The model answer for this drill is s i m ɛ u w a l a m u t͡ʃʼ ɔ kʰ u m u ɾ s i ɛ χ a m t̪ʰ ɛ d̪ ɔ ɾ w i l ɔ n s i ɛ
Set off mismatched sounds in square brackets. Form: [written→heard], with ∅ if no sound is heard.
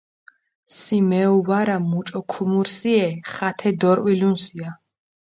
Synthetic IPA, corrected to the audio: s i m ɛ u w a [l→ɾ] a m u t͡ʃʼ ɔ kʰ u m u ɾ s i ɛ χ a [m→∅] t̪ʰ ɛ d̪ ɔ ɾ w i l [ɔ→u] n s i [ɛ→a]